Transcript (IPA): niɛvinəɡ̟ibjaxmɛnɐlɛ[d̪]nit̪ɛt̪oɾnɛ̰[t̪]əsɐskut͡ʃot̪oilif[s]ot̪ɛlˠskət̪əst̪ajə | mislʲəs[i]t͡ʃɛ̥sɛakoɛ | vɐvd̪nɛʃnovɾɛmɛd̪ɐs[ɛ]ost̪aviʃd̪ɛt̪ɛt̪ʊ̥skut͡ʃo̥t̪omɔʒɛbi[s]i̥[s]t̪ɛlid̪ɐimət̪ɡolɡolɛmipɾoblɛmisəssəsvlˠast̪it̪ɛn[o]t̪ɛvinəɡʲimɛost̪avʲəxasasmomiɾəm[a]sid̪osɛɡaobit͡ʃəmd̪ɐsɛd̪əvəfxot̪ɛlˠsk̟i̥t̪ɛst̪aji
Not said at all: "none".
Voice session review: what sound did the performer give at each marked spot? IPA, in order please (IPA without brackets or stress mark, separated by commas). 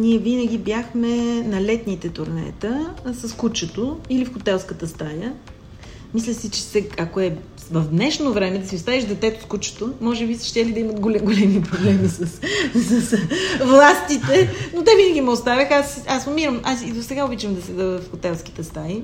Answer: t̪, t̪, x, i, i, s, ʃ, o, a